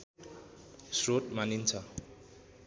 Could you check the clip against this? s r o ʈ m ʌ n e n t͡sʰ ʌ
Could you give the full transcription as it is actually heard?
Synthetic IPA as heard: s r o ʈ m a n i n t͡sʰ ʌ